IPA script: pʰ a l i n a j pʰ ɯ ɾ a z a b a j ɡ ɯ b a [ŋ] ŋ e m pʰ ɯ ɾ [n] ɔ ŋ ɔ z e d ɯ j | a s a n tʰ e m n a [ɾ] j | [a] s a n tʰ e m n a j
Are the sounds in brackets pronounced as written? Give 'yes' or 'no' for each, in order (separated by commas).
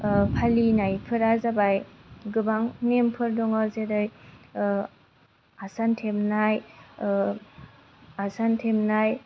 yes, no, no, yes